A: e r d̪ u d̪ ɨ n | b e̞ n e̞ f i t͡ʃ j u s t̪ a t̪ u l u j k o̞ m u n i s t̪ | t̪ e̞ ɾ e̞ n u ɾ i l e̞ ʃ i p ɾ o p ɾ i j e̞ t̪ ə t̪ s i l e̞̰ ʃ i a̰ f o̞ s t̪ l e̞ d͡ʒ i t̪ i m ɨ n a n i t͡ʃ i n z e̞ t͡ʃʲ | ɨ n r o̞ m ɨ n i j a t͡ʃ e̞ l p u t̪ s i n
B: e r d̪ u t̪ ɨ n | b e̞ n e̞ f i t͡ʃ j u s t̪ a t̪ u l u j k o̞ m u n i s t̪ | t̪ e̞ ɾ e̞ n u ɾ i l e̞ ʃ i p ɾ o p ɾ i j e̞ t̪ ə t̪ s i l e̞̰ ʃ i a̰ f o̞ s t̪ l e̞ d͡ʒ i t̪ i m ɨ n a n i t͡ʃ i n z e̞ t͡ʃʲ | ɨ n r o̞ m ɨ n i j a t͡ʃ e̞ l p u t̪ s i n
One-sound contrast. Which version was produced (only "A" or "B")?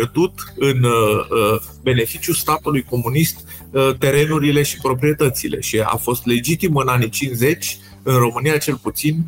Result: B